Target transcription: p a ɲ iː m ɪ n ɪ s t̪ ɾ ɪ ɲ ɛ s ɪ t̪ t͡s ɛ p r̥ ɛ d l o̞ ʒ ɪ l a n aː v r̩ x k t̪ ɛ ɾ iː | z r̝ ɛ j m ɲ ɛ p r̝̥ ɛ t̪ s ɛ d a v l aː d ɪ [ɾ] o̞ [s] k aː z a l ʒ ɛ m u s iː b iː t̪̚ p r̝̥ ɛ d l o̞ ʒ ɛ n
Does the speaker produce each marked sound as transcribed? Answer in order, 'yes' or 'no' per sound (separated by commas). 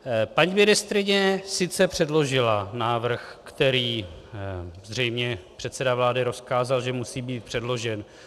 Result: yes, yes